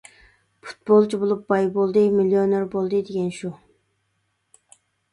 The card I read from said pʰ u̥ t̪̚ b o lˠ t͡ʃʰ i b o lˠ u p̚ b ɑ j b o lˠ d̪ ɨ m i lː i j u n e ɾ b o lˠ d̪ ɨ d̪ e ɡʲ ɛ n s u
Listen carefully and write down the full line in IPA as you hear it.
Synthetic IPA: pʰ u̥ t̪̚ b o lˠ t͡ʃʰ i b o lˠ u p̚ b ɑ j b o lˠ d̪ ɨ m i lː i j o n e ɾ b o lˠ d̪ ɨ d̪ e ɡʲ ɛ n ʃ u